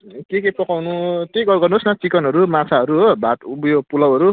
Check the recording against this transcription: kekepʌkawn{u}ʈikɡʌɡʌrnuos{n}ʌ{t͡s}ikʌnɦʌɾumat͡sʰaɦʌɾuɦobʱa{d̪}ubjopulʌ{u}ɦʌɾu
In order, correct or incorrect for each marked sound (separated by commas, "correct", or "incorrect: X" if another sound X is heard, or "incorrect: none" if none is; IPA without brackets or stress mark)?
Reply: correct, correct, correct, incorrect: t̪, incorrect: w